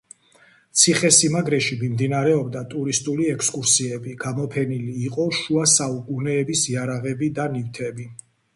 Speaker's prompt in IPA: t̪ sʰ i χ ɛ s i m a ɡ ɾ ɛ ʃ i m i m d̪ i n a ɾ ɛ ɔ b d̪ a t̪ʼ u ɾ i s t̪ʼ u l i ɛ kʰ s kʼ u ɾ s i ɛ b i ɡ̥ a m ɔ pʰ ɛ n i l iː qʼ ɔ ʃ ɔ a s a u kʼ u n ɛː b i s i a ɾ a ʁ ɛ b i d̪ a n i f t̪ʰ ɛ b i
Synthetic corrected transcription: t̪ sʰ i χ ɛ s i m a ɡ ɾ ɛ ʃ i m i m d̪ i n a ɾ ɛ ɔ b d̪ a t̪ʼ u ɾ i s t̪ʼ u l i ɛ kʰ s kʼ u ɾ s i ɛ b i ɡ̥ a m ɔ pʰ ɛ n i l iː qʼ ɔ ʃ u a s a u kʼ u n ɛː b i s i a ɾ a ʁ ɛ b i d̪ a n i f t̪ʰ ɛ b i